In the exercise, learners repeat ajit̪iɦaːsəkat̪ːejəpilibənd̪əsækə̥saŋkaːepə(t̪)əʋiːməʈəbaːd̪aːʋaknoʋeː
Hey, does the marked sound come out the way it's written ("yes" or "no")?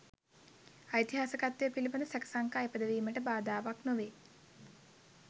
no